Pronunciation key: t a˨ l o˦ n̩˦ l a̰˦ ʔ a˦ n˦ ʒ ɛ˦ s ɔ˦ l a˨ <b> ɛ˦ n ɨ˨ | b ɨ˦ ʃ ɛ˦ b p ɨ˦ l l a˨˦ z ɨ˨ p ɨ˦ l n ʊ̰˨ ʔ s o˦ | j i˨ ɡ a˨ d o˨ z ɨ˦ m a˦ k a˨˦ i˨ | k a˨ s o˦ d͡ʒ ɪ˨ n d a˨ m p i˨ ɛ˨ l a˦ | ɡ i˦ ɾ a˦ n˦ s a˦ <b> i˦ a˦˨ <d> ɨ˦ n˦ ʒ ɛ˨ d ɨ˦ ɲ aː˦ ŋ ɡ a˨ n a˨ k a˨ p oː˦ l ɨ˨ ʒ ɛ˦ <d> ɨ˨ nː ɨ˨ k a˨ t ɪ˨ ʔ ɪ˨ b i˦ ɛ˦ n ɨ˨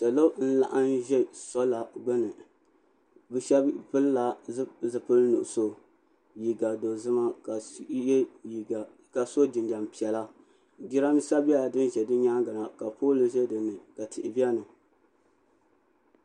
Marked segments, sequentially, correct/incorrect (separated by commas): incorrect, correct, correct, correct